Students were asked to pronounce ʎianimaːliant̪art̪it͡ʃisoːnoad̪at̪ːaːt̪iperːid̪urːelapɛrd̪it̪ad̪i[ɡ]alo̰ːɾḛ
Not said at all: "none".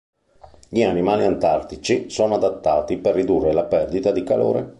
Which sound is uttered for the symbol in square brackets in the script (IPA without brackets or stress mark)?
k